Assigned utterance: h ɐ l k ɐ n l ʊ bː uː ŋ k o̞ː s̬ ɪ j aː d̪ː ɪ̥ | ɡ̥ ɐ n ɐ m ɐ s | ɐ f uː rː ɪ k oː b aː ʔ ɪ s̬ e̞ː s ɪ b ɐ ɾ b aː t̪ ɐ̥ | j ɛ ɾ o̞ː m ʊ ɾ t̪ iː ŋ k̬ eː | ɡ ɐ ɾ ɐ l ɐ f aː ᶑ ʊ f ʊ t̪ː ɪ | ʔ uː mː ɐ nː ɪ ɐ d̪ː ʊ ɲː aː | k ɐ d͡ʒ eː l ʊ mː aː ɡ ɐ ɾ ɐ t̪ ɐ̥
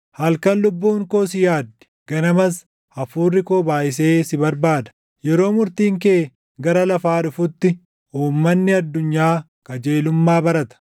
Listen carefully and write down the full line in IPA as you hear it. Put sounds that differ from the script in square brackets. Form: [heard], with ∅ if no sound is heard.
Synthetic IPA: h ɐ l k ɐ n l ʊ bː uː ŋ k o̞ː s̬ ɪ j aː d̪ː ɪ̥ | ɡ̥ ɐ n ɐ m ɐ s | ɐ f uː rː ɪ k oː b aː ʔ ɪ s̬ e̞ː s ɪ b ɐ ɾ b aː [d̪] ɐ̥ | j ɛ ɾ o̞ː m ʊ ɾ t̪ iː ŋ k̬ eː | ɡ ɐ ɾ ɐ l ɐ f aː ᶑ ʊ f ʊ t̪ː ɪ | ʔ uː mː ɐ nː ɪ ɐ d̪ː ʊ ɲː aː | k ɐ d͡ʒ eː l ʊ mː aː [b] ɐ ɾ ɐ t̪ ɐ̥